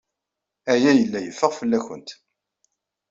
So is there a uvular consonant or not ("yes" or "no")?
yes